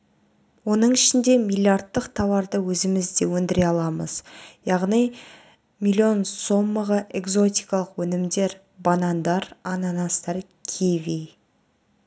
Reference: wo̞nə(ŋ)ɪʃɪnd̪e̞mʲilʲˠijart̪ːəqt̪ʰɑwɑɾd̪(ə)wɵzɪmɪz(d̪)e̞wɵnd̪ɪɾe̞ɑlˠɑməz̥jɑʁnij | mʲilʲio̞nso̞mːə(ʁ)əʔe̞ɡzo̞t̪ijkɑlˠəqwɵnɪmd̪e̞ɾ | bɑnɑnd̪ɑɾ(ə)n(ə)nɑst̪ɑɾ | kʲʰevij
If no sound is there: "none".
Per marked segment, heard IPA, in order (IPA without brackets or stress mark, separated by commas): ɴ, ə, d̪, ʁ, ɑ, ɑ